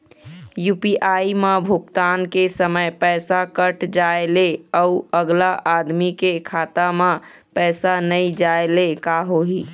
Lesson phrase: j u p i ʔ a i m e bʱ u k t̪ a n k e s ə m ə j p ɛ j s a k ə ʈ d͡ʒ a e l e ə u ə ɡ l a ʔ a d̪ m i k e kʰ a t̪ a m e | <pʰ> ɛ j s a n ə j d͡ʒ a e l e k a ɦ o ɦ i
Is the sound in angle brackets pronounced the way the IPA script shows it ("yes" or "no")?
no